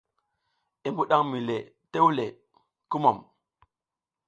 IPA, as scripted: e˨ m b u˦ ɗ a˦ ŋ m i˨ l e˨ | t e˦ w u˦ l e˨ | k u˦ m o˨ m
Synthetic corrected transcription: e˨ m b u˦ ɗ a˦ ŋ m i˨ l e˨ | t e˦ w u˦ l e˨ | k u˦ m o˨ m